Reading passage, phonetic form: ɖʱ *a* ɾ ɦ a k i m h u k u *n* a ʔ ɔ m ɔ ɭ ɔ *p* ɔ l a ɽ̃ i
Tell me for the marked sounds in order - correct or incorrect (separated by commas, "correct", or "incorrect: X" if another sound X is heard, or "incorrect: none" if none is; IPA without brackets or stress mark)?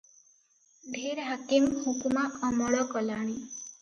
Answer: incorrect: e, incorrect: m, incorrect: k